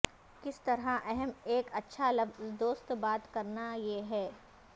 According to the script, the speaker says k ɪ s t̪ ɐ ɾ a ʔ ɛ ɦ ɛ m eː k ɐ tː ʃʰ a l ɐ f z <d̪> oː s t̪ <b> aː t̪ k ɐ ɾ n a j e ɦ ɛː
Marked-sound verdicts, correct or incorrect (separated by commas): correct, correct